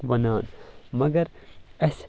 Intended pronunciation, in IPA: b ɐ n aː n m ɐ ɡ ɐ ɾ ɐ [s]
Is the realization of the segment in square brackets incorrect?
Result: no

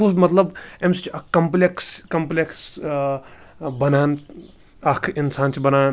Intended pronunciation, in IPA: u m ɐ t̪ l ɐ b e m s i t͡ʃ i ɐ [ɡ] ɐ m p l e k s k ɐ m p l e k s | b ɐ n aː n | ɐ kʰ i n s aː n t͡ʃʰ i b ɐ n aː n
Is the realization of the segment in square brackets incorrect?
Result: yes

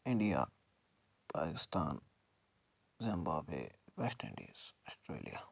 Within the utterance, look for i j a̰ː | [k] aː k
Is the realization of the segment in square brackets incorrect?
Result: yes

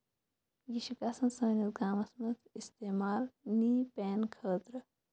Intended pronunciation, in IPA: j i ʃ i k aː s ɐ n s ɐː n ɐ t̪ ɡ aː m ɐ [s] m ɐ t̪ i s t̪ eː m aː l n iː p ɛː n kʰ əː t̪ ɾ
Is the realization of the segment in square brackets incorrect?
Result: no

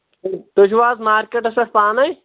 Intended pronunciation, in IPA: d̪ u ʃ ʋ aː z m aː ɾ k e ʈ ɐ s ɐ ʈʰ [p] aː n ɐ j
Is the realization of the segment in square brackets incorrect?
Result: no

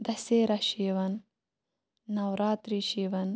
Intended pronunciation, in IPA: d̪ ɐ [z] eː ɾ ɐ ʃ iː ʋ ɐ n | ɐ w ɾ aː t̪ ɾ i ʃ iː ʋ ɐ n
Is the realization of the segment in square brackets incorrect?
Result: yes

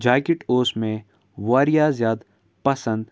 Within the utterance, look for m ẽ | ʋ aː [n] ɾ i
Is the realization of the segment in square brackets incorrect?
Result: yes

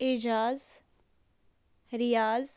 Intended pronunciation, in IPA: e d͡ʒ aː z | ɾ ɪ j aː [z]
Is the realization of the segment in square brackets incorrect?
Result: no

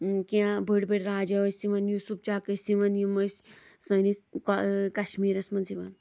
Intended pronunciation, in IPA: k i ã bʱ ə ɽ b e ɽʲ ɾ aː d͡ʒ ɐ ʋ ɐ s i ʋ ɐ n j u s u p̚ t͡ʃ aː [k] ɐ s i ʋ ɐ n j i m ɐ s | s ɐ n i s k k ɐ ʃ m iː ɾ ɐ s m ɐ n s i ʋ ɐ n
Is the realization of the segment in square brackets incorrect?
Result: no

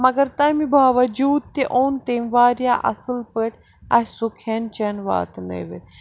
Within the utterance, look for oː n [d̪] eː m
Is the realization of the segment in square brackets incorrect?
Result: yes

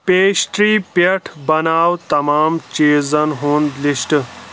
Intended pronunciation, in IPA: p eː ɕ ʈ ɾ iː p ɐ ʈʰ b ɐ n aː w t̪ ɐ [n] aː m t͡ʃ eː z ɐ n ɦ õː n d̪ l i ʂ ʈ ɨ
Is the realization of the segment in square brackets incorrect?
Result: yes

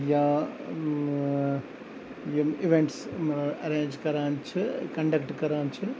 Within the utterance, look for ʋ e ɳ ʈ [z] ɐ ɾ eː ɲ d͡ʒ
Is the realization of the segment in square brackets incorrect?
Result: yes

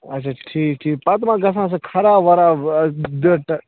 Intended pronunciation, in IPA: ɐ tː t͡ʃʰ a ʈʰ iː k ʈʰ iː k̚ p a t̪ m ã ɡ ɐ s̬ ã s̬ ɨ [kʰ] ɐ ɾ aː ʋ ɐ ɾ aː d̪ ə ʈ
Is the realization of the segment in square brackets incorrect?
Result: no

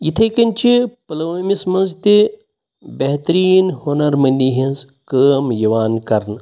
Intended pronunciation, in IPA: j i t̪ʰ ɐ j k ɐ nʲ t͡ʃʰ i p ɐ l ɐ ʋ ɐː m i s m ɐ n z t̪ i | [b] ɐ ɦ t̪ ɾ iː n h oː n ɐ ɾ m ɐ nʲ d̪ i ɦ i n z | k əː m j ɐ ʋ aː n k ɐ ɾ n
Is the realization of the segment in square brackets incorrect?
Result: no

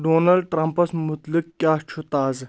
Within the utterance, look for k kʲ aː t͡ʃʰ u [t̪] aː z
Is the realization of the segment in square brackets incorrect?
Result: no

